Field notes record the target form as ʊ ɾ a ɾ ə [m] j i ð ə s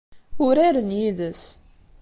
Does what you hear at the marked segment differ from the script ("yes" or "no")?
yes